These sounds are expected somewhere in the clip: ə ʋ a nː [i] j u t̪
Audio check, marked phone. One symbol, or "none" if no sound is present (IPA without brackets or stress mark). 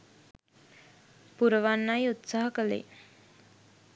a